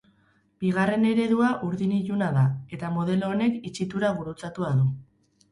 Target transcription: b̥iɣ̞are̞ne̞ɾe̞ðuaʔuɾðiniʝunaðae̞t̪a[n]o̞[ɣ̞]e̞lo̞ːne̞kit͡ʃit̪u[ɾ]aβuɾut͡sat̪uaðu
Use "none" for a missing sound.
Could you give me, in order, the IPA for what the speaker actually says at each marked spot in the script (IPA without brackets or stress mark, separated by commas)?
m, ð̞, ɾ